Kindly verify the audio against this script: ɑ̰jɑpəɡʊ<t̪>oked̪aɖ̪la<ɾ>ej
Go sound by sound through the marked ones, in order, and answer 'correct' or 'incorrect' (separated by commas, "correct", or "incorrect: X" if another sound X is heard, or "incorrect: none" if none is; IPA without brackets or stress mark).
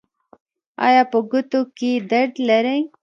correct, correct